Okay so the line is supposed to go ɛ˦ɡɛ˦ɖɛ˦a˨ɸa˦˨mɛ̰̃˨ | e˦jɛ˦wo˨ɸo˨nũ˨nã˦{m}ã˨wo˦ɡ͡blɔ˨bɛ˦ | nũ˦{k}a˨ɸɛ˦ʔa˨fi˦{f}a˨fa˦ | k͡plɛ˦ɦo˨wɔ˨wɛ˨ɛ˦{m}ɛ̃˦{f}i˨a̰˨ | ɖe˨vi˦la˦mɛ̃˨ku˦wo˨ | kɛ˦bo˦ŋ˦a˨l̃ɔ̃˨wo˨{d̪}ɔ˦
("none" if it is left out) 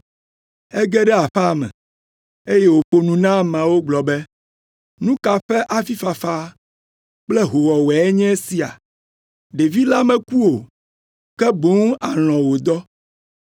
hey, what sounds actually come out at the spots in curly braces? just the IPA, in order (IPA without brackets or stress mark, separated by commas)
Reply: m, k, f, ɲ, s, d̪